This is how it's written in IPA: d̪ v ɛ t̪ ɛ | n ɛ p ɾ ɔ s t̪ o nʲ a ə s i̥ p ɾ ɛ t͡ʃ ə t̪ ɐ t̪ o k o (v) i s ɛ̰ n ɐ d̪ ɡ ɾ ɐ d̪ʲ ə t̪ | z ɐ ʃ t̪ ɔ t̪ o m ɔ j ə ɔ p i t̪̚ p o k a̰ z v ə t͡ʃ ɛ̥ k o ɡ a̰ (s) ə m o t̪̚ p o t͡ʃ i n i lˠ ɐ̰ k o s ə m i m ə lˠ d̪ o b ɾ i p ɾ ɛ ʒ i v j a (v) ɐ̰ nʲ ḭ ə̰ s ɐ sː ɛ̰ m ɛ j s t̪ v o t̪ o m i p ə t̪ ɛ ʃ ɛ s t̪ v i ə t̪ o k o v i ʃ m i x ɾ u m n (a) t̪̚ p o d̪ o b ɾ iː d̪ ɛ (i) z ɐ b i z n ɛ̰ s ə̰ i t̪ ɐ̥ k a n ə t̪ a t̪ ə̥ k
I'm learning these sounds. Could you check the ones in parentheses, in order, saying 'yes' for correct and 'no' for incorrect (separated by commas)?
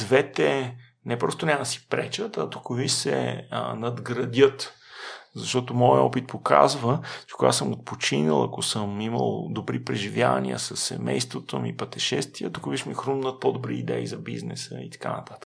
yes, yes, yes, no, yes